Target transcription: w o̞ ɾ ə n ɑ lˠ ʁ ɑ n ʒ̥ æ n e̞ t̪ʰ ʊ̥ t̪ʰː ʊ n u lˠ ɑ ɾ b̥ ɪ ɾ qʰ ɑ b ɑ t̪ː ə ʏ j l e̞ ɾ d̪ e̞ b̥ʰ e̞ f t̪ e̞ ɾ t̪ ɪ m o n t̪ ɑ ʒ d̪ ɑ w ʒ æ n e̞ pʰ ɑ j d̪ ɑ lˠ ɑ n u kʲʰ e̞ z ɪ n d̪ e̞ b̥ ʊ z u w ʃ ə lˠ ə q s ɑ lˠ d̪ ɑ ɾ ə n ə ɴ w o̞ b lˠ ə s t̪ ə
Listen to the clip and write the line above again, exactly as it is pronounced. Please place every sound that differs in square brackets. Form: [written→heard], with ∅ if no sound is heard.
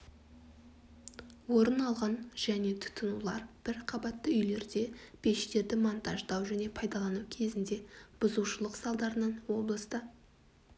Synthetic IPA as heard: w o̞ ɾ ə n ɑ lˠ ʁ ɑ n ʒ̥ æ n e̞ t̪ʰ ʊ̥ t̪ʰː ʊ n u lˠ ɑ ɾ b̥ ɪ ɾ qʰ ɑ b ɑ t̪ː ə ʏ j l e̞ ɾ d̪ e̞ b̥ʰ e̞ [f→ʃ] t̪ e̞ ɾ [t̪→d̪] ɪ m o n t̪ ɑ ʒ d̪ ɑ w ʒ æ n e̞ pʰ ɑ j d̪ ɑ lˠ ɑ n u kʲʰ e̞ z ɪ n d̪ e̞ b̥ ʊ z u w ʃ ə lˠ ə q s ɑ lˠ d̪ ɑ ɾ ə n ə ɴ w o̞ b lˠ ə s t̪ ə